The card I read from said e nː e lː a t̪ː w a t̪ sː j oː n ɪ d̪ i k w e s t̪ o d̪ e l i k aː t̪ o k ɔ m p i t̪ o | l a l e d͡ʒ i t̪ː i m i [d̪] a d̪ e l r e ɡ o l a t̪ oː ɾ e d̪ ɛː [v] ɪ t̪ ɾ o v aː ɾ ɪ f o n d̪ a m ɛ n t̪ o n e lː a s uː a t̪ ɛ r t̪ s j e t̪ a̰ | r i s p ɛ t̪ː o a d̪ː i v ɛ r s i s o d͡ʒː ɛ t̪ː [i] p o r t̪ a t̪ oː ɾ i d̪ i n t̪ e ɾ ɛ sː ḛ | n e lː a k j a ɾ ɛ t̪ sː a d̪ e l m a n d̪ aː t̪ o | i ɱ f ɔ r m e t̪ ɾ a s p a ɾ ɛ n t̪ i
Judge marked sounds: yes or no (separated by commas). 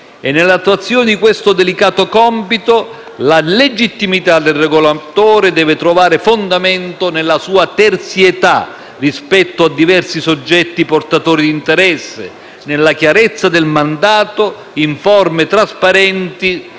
no, yes, yes